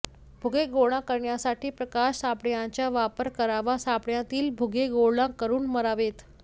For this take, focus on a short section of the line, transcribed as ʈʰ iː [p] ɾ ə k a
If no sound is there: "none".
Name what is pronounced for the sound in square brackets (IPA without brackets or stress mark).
p